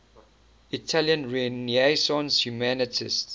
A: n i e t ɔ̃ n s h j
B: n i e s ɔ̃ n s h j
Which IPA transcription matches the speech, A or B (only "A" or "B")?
B